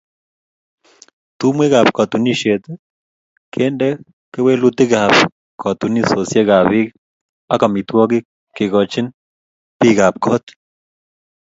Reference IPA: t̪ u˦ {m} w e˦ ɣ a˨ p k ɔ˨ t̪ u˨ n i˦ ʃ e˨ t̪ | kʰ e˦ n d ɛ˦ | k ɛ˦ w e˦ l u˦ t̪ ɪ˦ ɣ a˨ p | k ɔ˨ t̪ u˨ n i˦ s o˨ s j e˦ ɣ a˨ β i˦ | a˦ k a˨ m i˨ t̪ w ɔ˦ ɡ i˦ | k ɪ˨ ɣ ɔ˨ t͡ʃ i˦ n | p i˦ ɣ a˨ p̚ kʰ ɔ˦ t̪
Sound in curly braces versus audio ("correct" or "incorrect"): correct